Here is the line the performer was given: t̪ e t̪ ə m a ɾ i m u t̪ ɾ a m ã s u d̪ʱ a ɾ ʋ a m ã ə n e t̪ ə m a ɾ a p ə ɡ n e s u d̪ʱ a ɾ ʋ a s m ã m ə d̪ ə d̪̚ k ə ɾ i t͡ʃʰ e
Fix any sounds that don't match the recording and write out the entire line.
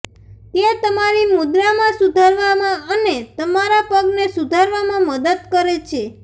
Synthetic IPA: t̪ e t̪ ə m a ɾ i m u d̪ ɾ a m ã s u d̪ʱ a ɾ ʋ a m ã ə n e t̪ ə m a ɾ a p ə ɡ n e s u d̪ʱ a ɾ ʋ a m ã m ə d̪ ə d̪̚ k ə ɾ e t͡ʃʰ e